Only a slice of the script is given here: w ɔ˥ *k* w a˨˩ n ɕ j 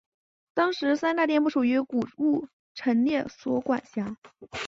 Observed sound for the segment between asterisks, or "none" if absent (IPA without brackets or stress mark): k